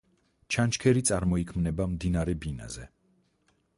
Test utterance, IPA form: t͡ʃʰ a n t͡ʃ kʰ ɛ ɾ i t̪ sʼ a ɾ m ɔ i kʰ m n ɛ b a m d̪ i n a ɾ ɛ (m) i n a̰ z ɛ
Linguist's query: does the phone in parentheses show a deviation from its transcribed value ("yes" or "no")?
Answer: yes